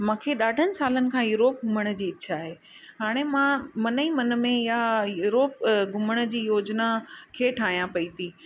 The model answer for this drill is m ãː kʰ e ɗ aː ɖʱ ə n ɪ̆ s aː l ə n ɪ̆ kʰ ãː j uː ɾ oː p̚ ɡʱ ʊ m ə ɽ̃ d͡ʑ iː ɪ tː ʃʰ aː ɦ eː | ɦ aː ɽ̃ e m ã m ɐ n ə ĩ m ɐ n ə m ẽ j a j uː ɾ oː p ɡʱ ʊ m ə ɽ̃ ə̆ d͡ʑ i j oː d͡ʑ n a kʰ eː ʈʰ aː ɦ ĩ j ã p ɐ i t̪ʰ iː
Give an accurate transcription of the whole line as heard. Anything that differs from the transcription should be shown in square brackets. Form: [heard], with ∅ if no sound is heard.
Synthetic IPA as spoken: m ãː kʰ e ɗ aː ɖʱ ə n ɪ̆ s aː l ə n ɪ̆ kʰ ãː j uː ɾ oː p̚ ɡʱ ʊ m ə ɽ̃ d͡ʑ iː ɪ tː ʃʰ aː ɦ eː | ɦ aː ɽ̃ e m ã m ɐ n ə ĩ m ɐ n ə m ẽ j a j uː ɾ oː p ɡʱ ʊ m ə ɽ̃ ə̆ d͡ʑ [iː] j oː d͡ʑ n a kʰ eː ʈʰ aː ɦ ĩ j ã p ɐ i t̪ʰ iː